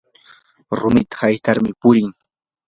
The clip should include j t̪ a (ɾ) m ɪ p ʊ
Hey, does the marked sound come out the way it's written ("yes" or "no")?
yes